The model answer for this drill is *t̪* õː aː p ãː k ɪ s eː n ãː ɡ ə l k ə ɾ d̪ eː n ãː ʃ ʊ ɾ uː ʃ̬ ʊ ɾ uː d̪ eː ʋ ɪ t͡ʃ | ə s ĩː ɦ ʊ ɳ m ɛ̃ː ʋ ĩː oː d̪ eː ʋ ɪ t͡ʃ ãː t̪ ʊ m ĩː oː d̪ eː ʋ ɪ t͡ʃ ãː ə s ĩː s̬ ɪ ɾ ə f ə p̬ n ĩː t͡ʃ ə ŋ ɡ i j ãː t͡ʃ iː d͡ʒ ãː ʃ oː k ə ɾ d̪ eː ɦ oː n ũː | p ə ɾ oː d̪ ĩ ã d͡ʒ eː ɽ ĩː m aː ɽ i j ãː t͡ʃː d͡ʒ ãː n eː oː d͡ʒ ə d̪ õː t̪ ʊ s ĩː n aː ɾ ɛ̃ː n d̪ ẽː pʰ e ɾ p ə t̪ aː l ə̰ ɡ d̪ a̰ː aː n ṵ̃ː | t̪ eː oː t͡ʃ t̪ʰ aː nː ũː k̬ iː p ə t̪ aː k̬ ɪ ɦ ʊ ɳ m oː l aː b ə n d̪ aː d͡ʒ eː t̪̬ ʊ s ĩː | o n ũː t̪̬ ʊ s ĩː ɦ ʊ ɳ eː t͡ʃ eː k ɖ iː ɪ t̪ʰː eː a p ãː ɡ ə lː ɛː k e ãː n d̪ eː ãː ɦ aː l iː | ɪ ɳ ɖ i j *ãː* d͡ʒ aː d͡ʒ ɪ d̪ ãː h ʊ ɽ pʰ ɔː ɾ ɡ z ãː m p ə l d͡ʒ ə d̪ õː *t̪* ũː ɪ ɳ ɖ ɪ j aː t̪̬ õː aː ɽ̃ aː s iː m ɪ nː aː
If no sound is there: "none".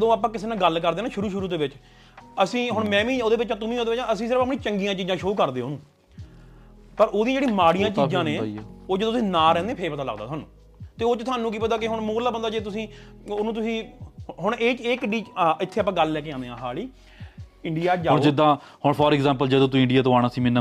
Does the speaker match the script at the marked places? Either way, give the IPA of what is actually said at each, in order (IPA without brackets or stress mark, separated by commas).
d̪, aː, t̪